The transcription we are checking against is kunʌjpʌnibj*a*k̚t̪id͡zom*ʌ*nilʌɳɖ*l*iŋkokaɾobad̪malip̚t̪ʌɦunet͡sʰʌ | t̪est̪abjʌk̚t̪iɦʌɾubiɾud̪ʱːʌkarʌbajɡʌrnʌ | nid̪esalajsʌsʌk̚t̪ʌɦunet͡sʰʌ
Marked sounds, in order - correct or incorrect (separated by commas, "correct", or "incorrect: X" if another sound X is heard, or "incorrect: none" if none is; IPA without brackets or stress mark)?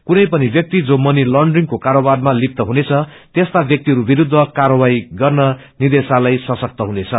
incorrect: ʌ, correct, incorrect: r